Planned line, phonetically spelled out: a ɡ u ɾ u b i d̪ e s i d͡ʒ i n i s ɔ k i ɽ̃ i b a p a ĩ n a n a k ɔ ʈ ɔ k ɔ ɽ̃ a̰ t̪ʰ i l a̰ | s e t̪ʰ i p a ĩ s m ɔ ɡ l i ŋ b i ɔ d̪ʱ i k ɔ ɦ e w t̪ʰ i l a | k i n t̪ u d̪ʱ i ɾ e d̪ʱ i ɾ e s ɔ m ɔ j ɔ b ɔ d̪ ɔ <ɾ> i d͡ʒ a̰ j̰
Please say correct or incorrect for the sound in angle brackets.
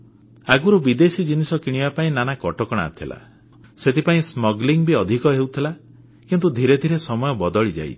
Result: incorrect